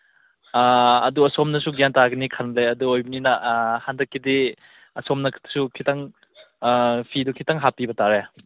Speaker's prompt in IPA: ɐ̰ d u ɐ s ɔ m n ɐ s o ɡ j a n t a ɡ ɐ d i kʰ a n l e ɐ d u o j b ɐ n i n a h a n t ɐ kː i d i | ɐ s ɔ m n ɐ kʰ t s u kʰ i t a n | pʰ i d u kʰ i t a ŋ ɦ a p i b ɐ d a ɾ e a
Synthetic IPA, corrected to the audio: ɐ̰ d u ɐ s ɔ m n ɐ s u ɡ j a n t a ɡ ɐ n i kʰ a n l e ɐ d u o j b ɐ n i n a h a n d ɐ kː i d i | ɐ s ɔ m n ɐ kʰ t s u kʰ i t a ŋ | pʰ i d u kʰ i t a ŋ ɦ a p i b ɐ t a ɾ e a